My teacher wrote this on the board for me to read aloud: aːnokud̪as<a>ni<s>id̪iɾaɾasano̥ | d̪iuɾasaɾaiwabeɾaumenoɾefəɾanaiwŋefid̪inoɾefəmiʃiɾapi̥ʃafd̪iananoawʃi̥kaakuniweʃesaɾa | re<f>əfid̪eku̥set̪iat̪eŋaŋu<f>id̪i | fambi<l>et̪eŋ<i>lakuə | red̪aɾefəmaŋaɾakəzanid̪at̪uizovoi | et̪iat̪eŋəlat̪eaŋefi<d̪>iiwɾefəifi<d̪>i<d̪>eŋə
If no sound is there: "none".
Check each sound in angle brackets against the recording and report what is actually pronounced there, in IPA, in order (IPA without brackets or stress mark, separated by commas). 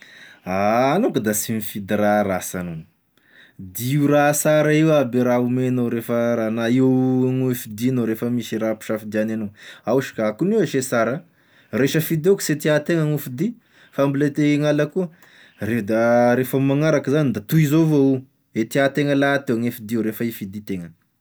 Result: i, f, ʃ, f, l, a, d̪, d̪, t̪